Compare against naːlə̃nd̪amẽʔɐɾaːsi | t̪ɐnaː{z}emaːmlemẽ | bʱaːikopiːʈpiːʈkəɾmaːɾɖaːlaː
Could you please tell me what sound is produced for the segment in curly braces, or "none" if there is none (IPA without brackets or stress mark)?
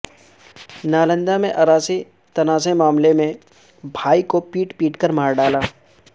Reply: s